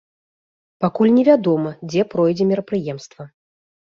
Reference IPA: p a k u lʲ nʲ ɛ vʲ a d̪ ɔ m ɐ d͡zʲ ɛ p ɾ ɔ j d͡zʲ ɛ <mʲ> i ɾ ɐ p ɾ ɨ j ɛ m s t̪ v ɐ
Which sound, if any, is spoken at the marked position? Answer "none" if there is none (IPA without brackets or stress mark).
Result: mʲ